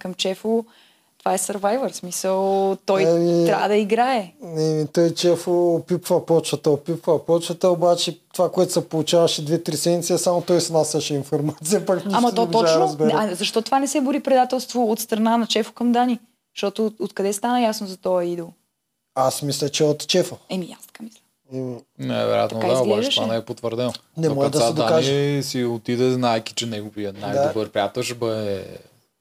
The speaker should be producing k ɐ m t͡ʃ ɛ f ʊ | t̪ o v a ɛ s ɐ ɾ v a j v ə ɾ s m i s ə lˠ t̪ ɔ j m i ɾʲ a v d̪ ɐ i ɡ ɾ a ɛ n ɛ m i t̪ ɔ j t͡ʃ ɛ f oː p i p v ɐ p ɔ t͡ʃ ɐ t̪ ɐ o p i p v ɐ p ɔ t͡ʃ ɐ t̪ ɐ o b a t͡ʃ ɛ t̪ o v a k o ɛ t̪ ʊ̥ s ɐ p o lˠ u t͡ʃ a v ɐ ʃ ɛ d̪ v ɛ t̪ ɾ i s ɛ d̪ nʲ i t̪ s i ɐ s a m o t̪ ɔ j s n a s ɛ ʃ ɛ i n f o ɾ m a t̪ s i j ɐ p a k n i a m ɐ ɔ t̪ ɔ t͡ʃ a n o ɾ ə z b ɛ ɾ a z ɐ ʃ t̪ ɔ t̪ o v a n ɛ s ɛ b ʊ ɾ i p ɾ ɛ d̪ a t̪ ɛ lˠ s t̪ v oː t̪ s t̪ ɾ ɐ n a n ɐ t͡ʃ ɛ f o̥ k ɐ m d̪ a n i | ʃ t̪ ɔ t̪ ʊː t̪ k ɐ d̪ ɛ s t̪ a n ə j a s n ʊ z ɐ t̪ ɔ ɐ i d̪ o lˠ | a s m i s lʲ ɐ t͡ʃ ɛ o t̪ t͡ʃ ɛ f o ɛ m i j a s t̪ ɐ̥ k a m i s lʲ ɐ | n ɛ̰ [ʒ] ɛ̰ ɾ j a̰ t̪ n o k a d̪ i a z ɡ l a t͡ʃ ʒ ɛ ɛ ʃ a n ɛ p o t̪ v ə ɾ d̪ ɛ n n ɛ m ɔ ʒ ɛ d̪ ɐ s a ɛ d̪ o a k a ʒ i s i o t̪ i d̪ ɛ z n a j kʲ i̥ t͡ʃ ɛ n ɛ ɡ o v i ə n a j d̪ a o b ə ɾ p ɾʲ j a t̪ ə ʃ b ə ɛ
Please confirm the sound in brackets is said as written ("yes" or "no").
no